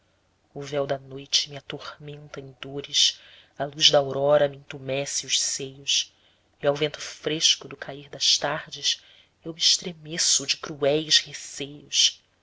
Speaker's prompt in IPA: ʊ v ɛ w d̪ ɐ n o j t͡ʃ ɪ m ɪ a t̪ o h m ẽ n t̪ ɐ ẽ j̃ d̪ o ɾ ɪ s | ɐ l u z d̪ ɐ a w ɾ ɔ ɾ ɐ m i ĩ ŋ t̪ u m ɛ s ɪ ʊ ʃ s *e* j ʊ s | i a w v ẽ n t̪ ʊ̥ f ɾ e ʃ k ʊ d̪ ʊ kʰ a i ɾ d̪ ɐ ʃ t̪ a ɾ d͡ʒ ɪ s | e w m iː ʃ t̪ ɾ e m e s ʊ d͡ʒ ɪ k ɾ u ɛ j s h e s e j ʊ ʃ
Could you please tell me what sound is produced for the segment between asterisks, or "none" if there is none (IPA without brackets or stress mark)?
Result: e